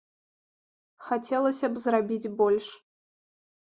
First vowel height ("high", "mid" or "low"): low